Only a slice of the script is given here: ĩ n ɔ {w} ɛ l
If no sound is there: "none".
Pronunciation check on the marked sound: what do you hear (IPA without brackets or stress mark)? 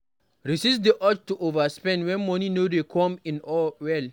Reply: w